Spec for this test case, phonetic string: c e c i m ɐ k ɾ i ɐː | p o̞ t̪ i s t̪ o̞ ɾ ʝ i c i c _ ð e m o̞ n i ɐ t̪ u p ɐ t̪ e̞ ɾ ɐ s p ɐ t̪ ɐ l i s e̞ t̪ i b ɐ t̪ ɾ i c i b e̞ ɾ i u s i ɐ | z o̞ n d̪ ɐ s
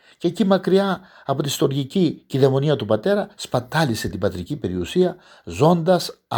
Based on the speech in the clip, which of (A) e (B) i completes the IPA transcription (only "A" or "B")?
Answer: B